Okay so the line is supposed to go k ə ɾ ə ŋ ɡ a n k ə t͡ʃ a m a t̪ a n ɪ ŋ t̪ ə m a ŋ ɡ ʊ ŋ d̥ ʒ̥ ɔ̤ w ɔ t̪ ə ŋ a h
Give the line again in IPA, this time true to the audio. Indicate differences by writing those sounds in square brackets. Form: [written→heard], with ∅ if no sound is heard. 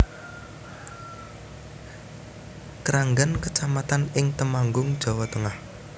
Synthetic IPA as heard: k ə ɾ [ə→a] ŋ ɡ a n k ə t͡ʃ a m a t̪ a n ɪ ŋ t̪ ə m a ŋ ɡ ʊ ŋ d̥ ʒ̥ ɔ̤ w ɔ t̪ ə ŋ a h